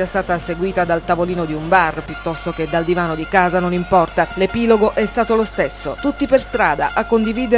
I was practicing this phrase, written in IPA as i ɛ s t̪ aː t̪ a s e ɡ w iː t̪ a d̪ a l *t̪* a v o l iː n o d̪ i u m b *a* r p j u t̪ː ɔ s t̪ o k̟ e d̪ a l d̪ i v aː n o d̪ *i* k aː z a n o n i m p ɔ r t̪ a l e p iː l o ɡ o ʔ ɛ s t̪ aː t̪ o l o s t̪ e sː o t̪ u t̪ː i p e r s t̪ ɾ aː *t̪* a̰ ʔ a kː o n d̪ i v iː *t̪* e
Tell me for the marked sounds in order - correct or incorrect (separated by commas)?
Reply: correct, correct, correct, incorrect, incorrect